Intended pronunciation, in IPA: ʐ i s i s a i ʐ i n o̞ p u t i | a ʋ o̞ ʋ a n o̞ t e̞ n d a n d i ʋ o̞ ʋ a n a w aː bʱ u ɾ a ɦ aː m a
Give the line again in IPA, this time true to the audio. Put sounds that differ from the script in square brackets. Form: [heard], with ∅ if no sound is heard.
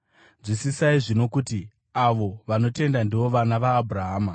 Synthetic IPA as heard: ʐ i s i s a i ʐ i n o̞ [k] u t i | a ʋ o̞ ʋ a n o̞ t e̞ n d a n d i ʋ o̞ ʋ a n a [ʋ] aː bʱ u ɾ a ɦ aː m a